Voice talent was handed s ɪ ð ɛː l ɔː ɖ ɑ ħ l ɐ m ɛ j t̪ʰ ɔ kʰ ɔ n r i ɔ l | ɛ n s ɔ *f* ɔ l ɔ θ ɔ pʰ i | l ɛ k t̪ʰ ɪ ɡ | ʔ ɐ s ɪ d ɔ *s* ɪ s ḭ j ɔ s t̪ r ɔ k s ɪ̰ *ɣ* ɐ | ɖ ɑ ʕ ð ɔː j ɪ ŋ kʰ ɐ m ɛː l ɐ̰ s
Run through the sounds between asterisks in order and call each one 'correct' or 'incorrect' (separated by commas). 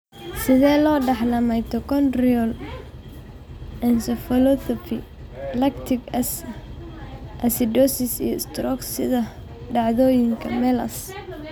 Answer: correct, correct, incorrect